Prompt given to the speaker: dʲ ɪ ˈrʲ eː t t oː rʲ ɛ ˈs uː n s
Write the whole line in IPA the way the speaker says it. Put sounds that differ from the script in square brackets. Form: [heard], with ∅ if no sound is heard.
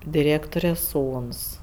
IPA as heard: dʲ ɪ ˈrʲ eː [k] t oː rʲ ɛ ˈs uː n s